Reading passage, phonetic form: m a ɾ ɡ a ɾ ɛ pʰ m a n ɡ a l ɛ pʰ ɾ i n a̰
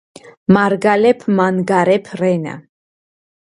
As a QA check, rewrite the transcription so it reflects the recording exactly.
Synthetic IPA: m a ɾ ɡ a l ɛ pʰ m a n ɡ a ɾ ɛ pʰ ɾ ɛ n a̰